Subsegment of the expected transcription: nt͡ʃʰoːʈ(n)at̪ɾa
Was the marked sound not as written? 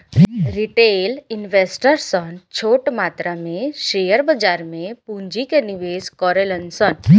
yes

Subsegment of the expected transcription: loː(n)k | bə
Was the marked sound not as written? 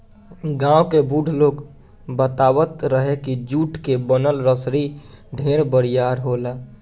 yes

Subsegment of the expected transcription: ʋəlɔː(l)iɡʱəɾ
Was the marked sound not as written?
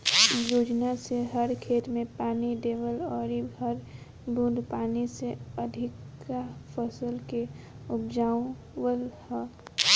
yes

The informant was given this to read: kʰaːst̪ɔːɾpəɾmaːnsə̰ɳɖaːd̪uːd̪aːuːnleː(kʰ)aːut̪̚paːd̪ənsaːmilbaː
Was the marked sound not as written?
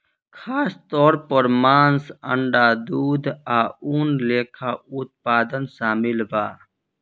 no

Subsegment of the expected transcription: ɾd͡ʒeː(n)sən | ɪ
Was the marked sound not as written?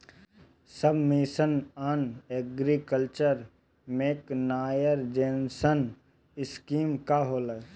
no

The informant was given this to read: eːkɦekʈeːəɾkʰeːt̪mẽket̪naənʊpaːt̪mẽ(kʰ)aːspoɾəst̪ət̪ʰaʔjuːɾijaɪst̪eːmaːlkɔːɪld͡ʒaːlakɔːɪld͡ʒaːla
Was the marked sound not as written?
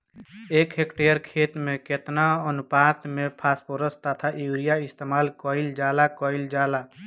yes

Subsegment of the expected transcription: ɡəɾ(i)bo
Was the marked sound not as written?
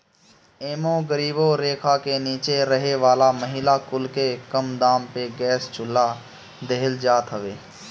yes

